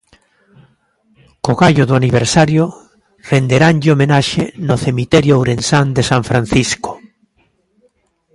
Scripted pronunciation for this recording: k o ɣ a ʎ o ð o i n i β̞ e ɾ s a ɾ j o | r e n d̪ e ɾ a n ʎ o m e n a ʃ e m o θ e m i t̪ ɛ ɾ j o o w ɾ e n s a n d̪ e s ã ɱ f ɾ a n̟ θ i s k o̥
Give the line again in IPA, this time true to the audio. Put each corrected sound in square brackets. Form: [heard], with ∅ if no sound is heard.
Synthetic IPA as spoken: k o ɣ a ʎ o ð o [a] n i β̞ e ɾ s a ɾ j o | r e n d̪ e ɾ a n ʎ o m e n a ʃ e [n] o θ e m i t̪ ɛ ɾ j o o w ɾ e n s a n d̪ e s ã ɱ f ɾ a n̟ θ i s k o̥